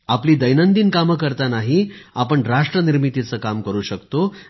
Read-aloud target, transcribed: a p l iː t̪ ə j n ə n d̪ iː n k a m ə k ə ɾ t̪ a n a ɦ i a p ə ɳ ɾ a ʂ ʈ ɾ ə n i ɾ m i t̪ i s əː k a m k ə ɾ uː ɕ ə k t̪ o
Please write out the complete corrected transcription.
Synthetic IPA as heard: a p l iː d̪ ə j n ə n d̪ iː n k a m ə k ə ɾ t̪ a n a ɦ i a p ə ɳ ɾ a ʂ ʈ ɾ ə n i ɾ m i t̪ i t͡s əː k a m k ə ɾ uː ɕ ə k t̪ o